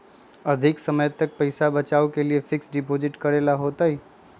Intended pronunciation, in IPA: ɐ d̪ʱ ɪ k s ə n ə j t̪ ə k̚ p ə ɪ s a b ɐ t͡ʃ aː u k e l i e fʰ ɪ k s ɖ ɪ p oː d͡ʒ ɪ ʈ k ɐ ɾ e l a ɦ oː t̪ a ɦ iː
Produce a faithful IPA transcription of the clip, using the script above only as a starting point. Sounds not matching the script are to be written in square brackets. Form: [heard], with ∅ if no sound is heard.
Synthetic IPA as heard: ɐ d̪ʱ ɪ k s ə [m] ə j t̪ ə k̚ p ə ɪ s a b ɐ t͡ʃ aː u k e l i e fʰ ɪ k s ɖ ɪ p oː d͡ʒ ɪ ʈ k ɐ ɾ e l a ɦ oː t̪ a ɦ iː